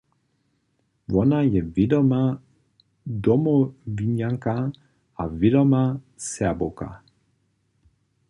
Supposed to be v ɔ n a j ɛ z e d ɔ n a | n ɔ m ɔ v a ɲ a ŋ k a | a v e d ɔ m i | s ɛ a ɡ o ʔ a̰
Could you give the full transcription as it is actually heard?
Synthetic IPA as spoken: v ɔ n a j ɛ v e d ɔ m a | d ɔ m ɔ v i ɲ a ŋ k a | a v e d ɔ m a | s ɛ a b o k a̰